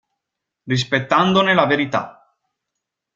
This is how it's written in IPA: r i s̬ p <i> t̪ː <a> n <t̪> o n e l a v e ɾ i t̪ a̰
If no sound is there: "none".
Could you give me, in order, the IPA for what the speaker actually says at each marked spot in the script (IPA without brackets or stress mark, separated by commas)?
e, a, d̪